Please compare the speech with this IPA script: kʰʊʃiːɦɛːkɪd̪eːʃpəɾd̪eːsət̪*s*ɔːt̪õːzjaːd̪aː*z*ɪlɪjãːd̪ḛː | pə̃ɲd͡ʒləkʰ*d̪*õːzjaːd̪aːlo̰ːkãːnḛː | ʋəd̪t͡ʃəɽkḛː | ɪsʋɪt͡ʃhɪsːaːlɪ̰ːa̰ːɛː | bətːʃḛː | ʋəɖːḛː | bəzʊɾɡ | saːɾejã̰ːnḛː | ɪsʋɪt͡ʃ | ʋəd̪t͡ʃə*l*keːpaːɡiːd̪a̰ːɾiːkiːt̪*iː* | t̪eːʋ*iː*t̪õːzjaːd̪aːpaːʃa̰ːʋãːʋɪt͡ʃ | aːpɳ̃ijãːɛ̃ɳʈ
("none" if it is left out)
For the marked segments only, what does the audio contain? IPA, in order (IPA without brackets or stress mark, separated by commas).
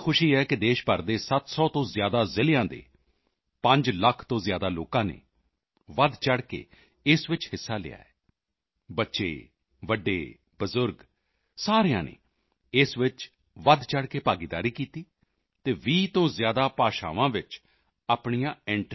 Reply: s, z, t̪, ɽ, iː, iː